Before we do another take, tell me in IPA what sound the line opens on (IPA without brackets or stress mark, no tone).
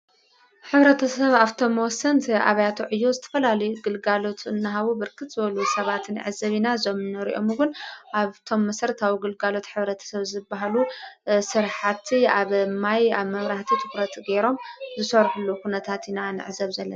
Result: ħ